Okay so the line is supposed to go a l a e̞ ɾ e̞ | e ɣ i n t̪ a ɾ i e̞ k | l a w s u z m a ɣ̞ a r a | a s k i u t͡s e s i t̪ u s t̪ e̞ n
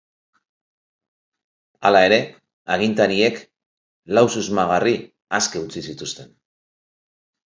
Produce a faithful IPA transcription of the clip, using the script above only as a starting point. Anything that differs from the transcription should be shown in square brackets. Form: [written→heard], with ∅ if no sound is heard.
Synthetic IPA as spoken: a l a e̞ ɾ e̞ | [e→a] ɣ i n t̪ a ɾ i e̞ k | l a w s u z m a ɣ̞ a r [a→i] | a s k [i→e] u t͡s [e→i] s i t̪ u s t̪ e̞ n